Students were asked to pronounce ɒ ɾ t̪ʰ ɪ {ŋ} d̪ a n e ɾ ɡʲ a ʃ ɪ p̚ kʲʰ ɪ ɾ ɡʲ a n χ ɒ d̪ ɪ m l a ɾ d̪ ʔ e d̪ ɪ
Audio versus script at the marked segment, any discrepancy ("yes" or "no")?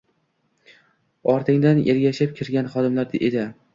no